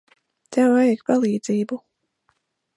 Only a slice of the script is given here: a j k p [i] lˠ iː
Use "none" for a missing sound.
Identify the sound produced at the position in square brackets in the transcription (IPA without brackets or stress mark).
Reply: a